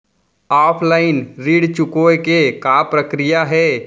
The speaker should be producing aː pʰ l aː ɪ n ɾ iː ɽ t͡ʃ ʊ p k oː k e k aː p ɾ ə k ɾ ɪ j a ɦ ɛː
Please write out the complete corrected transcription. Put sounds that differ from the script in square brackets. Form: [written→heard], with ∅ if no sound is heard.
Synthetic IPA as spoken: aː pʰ l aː ɪ n ɾ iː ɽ t͡ʃ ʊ [p→∅] k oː k e k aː p ɾ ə k ɾ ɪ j a ɦ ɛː